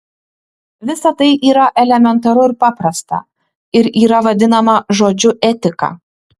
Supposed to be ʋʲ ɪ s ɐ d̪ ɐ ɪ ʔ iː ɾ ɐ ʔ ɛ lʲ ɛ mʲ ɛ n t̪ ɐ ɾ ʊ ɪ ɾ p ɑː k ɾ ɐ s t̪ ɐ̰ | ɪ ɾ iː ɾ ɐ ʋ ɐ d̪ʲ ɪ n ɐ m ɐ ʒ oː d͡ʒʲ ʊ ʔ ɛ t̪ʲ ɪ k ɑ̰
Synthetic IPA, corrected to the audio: ʋʲ ɪ s ɐ t̪ ɐ ɪ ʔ iː ɾ ɐ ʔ ɛ lʲ ɛ mʲ ɛ n t̪ ɐ ɾ ʊ ɪ ɾ p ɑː p ɾ ɐ s t̪ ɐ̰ | ɪ ɾ iː ɾ ɐ ʋ ɐ d̪ʲ ɪ n ɐ m ɐ ʒ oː d͡ʒʲ ʊ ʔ ɛ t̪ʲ ɪ k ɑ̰